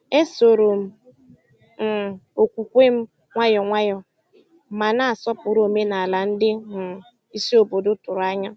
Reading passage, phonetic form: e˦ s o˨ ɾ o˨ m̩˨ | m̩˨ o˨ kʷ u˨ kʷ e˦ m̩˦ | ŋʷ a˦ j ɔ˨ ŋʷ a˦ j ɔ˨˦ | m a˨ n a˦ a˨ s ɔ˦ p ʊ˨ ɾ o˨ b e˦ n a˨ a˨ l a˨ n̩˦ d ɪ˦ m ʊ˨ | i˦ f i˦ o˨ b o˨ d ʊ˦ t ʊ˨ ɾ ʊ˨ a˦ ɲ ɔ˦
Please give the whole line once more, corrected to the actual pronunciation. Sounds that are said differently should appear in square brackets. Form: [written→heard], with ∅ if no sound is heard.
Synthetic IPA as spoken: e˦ s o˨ ɾ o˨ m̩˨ | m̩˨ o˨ kʷ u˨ kʷ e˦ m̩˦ | ŋʷ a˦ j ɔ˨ ŋʷ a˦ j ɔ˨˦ | m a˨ n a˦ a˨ s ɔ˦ p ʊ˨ ɾ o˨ [b→m] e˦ n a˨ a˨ l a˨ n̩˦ d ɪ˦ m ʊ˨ | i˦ [f→s] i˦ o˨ b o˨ d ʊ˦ t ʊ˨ ɾ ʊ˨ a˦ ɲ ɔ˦

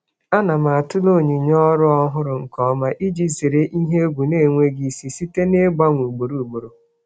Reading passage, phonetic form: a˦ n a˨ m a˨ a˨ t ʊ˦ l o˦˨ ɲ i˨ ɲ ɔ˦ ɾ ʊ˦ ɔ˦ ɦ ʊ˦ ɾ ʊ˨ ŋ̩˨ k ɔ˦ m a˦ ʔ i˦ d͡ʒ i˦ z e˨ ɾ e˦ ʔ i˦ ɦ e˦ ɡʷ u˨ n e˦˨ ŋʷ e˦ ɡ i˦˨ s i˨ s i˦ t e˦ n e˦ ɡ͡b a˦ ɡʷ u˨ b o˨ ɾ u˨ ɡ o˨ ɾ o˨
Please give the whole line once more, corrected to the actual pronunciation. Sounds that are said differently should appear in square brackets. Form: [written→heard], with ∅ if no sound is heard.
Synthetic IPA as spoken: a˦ n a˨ m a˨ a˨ t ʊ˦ l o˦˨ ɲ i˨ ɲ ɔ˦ ɾ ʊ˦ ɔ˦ ɦ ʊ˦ ɾ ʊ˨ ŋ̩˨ k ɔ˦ m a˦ ʔ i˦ d͡ʒ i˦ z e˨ ɾ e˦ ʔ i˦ ɦ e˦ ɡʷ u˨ n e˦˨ ŋʷ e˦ ɡ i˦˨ s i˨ s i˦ t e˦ n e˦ ɡ͡b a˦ [ɡʷ→ŋʷ] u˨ [b→ɡ͡b] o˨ ɾ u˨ [ɡ→ɡ͡b] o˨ ɾ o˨

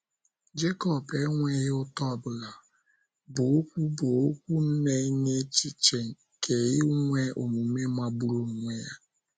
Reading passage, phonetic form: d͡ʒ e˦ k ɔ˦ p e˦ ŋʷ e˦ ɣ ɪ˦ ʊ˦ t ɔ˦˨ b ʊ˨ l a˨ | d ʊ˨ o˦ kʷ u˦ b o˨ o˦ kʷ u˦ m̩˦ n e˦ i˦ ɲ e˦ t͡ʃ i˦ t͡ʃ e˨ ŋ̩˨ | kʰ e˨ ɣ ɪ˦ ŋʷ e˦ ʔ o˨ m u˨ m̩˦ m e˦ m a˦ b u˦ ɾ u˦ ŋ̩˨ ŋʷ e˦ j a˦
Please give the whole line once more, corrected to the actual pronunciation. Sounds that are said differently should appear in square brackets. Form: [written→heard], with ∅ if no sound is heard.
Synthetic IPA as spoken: d͡ʒ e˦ k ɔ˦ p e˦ ŋʷ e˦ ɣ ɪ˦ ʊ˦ t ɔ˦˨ b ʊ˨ l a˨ | [d→b] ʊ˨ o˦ kʷ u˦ b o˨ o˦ kʷ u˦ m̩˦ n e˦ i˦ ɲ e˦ t͡ʃ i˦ t͡ʃ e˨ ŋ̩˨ | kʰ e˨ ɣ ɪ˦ ŋʷ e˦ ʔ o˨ m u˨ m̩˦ m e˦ m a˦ b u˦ ɾ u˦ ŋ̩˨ ŋʷ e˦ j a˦

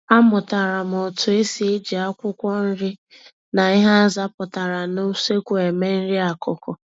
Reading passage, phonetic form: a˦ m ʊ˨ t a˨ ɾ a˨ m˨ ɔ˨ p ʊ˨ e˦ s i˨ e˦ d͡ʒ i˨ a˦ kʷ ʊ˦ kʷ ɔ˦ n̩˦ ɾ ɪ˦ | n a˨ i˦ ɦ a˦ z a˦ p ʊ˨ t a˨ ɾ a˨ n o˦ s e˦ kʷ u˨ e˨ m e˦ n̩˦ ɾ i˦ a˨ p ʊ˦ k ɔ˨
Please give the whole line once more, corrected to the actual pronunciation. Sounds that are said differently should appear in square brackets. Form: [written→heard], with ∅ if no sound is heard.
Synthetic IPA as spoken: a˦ m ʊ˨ t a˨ ɾ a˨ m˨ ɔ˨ [p→t] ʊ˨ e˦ s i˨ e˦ d͡ʒ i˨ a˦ kʷ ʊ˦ kʷ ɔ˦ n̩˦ ɾ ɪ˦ | n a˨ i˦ ɦ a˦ z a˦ p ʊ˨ t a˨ ɾ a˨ n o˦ s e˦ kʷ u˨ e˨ m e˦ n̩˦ ɾ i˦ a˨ [p→k] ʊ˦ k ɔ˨

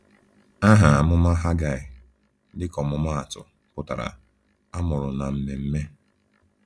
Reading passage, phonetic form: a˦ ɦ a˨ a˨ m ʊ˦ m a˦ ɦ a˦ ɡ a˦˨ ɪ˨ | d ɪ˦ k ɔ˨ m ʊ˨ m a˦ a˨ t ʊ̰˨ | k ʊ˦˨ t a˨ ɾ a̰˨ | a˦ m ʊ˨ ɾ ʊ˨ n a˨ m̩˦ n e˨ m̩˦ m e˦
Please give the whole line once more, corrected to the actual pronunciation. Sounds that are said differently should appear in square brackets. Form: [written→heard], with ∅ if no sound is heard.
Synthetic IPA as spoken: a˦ ɦ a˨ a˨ m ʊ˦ m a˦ ɦ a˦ ɡ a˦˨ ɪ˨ | d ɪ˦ k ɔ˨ m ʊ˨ m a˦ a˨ t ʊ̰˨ | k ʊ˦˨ t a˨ ɾ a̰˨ | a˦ m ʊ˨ ɾ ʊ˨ n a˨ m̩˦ [n→m] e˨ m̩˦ m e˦

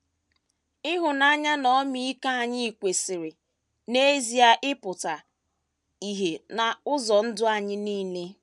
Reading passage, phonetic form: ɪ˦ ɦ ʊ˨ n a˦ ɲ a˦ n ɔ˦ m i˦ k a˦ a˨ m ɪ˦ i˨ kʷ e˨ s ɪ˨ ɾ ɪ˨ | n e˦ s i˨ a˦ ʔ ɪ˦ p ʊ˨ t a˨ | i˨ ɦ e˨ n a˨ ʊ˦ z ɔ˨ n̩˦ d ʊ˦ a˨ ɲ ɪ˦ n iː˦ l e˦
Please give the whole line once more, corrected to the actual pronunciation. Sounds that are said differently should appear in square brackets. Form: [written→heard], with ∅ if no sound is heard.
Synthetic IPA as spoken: ɪ˦ ɦ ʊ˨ n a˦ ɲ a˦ n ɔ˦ m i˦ k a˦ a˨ [m→ɲ] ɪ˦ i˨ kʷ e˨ s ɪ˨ ɾ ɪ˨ | n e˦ [s→z] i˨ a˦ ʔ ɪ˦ p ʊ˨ t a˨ | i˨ ɦ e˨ n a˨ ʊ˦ z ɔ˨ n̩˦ d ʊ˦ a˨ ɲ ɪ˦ n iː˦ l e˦

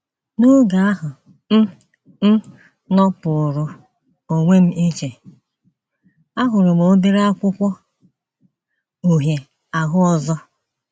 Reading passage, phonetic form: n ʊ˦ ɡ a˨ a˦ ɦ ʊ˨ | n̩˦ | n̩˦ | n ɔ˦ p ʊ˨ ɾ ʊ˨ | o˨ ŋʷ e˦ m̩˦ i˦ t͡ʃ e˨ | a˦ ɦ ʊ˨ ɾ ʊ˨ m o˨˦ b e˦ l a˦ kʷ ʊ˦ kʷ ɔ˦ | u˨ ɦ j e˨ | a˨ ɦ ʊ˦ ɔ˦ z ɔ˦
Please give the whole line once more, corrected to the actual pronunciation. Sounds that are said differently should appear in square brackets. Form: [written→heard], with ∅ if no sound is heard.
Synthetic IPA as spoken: n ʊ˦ ɡ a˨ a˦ ɦ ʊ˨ | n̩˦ | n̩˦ | n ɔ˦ p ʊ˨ ɾ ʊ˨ | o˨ ŋʷ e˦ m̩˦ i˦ t͡ʃ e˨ | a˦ ɦ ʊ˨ ɾ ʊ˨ m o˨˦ b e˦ [l→ɾ] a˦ kʷ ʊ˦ kʷ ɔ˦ | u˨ ɦ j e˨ | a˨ ɦ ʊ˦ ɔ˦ z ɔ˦

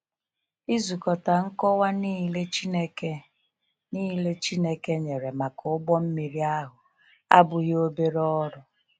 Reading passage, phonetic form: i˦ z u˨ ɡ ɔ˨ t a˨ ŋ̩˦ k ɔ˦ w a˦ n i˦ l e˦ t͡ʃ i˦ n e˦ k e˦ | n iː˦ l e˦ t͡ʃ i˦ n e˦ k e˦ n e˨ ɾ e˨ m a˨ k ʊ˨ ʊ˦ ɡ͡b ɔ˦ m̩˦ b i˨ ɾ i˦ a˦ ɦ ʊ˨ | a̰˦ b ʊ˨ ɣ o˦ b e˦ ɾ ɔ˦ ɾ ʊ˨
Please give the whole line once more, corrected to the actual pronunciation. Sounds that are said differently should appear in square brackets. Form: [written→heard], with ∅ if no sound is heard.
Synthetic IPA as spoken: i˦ z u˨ [ɡ→k] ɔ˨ t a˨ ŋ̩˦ k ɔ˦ w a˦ n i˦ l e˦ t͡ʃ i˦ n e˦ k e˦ | n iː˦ l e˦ t͡ʃ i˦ n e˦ k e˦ [n→ɲ] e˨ ɾ e˨ m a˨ k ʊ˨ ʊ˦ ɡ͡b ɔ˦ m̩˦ [b→m] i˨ ɾ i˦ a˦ ɦ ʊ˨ | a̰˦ b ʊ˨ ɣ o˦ b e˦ ɾ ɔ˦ ɾ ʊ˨

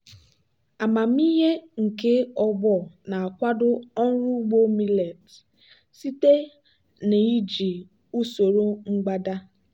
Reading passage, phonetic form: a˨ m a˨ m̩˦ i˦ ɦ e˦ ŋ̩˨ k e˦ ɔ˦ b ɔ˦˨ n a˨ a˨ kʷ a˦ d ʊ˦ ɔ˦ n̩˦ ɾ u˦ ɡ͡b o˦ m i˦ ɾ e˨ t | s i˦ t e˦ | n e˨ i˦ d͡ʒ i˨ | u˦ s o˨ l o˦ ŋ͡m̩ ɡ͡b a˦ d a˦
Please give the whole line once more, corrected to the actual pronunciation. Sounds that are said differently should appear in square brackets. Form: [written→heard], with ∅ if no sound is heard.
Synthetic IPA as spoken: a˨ m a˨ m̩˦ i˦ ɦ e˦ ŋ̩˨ k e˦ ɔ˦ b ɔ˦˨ n a˨ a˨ kʷ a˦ d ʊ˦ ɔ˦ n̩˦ ɾ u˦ ɡ͡b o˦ m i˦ [ɾ→l] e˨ t | s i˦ t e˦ | n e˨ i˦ d͡ʒ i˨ | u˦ s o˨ [l→ɾ] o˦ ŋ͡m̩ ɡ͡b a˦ d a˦

